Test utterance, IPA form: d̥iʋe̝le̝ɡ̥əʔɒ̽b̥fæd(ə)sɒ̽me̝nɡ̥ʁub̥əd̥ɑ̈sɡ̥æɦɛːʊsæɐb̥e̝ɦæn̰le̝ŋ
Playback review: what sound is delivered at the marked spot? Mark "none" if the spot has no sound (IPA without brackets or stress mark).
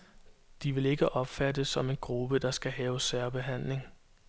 ə